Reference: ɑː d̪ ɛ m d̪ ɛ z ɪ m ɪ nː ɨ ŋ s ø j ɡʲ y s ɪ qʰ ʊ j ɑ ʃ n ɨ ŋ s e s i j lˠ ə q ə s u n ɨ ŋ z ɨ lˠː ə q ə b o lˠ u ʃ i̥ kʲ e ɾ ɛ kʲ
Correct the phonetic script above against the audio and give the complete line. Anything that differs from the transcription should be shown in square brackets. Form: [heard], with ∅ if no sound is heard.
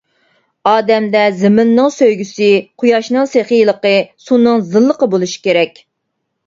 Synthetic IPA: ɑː d̪ ɛ m d̪ ɛ z ɪ m ɪ nː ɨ ŋ s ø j ɡʲ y s ɪ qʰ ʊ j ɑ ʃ n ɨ ŋ s e [χ] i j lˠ ə q ə s u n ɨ ŋ z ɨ lˠː ə q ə b o lˠ u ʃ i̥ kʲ e ɾ ɛ kʲ